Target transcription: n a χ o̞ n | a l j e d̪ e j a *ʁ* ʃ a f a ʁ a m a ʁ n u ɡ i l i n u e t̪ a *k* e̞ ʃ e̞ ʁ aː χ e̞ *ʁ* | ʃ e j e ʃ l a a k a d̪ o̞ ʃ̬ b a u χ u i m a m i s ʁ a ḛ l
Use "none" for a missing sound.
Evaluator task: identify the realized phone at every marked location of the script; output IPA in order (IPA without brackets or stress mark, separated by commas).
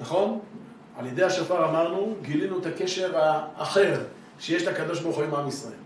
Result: none, k, ʁ